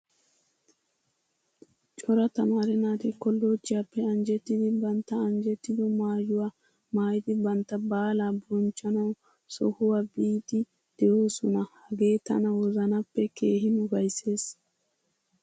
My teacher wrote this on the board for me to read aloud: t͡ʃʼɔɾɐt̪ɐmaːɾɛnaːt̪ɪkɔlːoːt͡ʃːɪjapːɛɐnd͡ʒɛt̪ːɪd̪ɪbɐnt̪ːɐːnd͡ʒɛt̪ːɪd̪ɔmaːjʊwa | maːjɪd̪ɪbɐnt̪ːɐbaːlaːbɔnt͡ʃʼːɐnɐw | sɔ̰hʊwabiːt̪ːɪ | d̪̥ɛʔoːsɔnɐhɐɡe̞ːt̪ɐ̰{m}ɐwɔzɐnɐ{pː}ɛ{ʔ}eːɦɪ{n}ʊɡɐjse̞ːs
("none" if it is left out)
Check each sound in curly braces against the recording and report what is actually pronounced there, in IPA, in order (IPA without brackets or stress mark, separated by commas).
n, pː, k, n